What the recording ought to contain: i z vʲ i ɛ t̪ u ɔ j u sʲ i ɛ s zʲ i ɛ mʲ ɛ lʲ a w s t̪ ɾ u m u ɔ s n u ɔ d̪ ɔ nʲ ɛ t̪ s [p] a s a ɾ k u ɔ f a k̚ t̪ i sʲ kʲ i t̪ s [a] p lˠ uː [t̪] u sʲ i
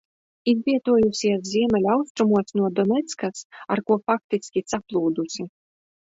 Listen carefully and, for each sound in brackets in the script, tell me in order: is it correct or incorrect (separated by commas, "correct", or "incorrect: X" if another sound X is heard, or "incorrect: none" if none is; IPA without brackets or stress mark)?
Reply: incorrect: k, correct, incorrect: d̪